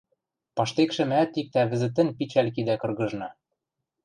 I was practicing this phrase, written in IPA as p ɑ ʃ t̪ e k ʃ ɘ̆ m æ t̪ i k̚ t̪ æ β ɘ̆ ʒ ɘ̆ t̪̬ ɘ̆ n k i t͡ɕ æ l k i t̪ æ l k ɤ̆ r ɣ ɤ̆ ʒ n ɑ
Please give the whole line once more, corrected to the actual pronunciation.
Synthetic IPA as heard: p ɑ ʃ t̪ e k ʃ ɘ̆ m æ t̪ i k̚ t̪ æ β ɘ̆ z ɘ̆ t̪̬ ɘ̆ n p i t͡ɕ æ l k i d̪ æ k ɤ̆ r ɣ ɤ̆ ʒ n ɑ